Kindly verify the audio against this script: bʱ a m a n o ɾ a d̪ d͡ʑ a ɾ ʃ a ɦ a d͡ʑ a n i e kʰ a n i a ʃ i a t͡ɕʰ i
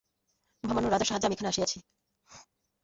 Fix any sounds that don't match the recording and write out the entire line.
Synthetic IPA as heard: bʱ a m a n o ɾ a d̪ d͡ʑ a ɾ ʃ a ɦ a d͡ʑ a m i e kʰ a n e a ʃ i a t͡ɕʰ i